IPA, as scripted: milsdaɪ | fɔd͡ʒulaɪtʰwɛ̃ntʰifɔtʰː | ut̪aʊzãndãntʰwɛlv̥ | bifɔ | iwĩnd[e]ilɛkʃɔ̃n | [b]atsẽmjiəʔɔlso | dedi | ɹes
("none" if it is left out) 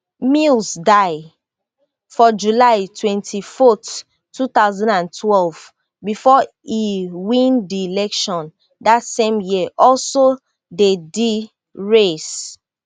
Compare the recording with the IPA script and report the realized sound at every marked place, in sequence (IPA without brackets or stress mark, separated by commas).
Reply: i, d